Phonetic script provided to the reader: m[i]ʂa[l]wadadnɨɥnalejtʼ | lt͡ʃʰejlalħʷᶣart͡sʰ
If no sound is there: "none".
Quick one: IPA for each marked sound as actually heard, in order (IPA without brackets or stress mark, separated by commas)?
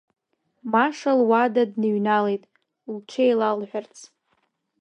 a, l